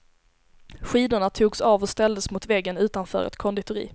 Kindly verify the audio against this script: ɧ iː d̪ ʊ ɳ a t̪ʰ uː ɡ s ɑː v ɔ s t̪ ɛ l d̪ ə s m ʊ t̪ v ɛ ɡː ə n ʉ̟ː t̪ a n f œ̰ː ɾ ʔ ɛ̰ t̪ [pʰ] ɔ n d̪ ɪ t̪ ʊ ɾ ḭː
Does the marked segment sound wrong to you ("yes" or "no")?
yes